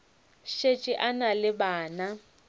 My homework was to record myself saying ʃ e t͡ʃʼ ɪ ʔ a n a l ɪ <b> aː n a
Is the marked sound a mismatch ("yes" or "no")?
no